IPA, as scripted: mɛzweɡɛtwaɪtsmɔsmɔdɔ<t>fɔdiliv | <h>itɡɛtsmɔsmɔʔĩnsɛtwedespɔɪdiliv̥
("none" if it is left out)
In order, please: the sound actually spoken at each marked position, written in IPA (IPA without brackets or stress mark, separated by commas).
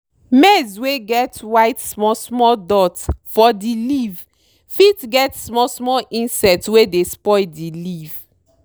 t, f